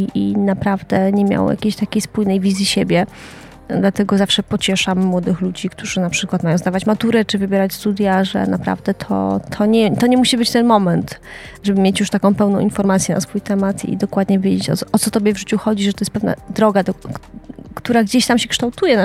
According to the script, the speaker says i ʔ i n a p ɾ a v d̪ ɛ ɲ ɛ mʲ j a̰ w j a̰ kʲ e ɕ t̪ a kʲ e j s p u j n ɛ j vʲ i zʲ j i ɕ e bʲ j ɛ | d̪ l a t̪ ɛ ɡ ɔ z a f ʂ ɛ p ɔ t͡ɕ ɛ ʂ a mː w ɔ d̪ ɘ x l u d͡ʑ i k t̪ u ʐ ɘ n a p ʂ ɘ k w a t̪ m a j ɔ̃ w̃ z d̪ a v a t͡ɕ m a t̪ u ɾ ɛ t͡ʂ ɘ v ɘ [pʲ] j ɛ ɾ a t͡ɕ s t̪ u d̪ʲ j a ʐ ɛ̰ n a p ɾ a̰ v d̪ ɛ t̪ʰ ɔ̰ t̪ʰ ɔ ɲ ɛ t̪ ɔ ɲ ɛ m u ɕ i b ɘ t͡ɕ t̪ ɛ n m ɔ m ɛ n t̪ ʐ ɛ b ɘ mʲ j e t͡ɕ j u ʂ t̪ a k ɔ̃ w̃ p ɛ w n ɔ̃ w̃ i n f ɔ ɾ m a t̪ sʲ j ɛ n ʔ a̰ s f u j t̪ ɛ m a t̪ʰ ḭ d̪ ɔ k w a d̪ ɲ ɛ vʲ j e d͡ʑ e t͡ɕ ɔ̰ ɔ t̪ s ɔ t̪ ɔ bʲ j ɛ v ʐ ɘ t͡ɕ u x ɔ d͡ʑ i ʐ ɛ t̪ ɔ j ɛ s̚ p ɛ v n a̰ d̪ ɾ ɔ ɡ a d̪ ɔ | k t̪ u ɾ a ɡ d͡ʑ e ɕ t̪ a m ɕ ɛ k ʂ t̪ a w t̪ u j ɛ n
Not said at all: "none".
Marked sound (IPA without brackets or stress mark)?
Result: bʲ